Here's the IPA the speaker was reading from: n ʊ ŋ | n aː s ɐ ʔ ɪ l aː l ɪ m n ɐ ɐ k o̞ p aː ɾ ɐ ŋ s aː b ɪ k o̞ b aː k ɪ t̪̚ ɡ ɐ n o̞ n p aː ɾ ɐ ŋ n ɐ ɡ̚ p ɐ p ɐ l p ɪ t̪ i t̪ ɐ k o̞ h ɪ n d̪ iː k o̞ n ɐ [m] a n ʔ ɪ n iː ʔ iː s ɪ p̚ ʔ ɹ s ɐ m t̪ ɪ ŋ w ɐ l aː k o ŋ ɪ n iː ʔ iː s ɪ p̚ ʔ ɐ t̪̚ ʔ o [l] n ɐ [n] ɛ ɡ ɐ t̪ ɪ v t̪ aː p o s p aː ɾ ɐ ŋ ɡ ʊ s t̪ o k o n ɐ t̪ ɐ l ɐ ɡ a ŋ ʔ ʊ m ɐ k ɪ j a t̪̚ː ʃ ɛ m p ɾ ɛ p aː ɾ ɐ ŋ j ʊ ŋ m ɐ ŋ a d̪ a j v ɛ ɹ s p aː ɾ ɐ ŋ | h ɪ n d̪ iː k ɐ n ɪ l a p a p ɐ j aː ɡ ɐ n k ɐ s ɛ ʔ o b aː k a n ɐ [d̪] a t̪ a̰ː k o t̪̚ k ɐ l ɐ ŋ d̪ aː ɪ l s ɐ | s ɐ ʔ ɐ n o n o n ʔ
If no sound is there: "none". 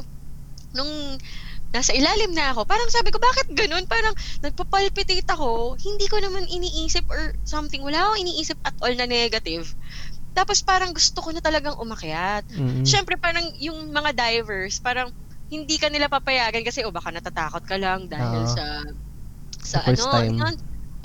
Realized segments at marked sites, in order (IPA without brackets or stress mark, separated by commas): m, l, n, t̪